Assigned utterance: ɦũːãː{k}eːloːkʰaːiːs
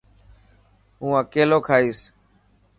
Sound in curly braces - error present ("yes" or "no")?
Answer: no